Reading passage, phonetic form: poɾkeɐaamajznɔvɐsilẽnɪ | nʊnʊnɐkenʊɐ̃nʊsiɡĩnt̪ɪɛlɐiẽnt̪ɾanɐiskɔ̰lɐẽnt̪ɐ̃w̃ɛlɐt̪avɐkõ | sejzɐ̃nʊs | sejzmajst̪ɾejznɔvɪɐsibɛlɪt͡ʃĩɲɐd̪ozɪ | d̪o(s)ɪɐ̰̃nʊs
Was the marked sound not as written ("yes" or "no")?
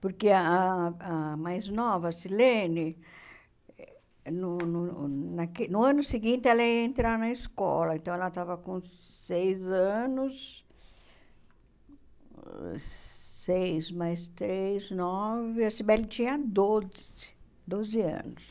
yes